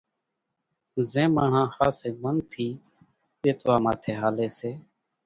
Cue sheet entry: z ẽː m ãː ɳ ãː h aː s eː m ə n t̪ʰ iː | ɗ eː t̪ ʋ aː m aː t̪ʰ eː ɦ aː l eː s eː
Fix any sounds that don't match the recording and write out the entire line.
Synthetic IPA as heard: z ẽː m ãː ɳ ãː h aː s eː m ə n t̪ʰ iː | ɗ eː t̪ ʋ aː m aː t̪ʰ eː ɦ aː l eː s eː